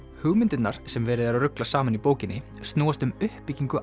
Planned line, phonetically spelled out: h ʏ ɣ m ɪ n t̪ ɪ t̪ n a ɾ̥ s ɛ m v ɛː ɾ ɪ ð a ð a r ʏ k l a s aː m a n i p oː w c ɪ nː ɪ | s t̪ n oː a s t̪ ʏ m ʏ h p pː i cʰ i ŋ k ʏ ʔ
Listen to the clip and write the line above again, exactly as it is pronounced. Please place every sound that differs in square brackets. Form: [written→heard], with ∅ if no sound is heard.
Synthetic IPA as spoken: h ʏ ɣ m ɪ n t̪ ɪ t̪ n a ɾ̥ s ɛ m v ɛː ɾ ɪ ð a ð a r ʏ k l a s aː m a n i p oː w c ɪ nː ɪ | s t̪ n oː a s t̪ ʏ m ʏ h p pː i [cʰ→c] i ŋ k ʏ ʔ